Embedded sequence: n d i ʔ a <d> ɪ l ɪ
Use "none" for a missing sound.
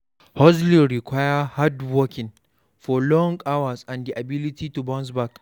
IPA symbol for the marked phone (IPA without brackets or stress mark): b